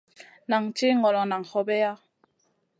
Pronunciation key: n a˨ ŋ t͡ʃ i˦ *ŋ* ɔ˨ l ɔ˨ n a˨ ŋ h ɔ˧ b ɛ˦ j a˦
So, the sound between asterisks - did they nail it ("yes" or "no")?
yes